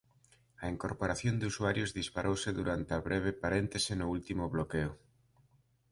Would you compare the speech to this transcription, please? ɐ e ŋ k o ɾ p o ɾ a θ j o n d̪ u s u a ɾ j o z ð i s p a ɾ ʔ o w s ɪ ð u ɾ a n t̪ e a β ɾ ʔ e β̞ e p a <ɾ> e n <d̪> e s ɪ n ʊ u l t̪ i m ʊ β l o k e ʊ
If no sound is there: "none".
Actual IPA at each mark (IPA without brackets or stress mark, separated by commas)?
ɾ, t̪